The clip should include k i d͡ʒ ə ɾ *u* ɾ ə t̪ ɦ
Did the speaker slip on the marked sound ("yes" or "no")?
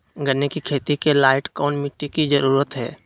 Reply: yes